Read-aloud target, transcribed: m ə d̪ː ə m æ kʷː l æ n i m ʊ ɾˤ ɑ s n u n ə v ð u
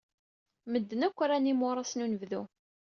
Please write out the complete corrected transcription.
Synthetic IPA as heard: m ə d̪ː ə n æ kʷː ɾ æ n i m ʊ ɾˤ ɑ s n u n ə v ð u